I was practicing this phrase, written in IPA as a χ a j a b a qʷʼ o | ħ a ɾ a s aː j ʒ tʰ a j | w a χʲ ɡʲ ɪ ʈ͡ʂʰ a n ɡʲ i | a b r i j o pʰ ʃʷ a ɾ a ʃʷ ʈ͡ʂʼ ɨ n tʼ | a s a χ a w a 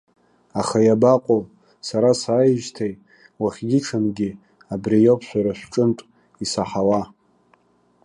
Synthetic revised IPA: a χ a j a b a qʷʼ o | s a ɾ a s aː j ʒ tʰ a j | w a χʲ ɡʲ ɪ ʈ͡ʂʰ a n ɡʲ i | a b r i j o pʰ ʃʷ a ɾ a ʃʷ ʈ͡ʂʼ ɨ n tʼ | i s a ħ a w a